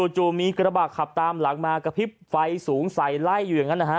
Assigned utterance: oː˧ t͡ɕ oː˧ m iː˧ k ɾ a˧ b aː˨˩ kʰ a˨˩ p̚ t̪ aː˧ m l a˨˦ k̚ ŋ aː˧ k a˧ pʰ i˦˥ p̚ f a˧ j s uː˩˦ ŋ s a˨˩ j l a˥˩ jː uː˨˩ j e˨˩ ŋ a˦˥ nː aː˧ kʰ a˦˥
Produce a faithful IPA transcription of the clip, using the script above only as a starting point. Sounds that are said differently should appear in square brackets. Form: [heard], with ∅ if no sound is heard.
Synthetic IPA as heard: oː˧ t͡ɕ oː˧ m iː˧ k ɾ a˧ b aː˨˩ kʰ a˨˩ p̚ t̪ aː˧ m l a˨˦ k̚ [m] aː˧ k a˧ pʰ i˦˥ p̚ f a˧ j s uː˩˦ ŋ s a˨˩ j l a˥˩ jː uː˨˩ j [a˨˩] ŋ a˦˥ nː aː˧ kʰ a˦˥